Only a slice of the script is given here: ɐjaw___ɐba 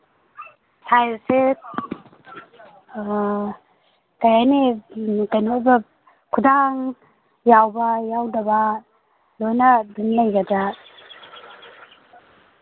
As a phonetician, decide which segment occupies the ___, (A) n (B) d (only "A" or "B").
B